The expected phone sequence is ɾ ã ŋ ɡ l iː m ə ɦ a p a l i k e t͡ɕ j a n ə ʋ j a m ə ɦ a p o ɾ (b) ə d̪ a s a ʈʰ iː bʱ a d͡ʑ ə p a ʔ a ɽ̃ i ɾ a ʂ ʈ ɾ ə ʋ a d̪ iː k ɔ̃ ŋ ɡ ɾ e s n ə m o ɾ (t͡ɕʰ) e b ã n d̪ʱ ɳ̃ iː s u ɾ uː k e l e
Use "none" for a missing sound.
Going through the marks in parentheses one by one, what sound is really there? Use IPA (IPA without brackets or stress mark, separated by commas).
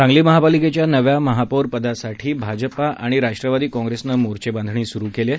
p, t͡ɕ